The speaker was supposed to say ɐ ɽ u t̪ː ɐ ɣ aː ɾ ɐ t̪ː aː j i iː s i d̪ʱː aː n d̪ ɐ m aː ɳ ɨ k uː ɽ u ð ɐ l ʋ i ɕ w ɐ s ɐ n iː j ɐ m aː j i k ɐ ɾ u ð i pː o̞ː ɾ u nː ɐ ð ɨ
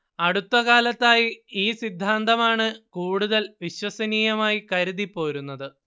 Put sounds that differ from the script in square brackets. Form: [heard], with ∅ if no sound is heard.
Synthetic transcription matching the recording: ɐ ɽ u t̪ː ɐ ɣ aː [l] ɐ t̪ː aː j i iː s i d̪ʱː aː n d̪ ɐ m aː ɳ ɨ k uː ɽ u ð ɐ l ʋ i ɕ w ɐ s ɐ n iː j ɐ m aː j i k ɐ ɾ u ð i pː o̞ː ɾ u nː ɐ ð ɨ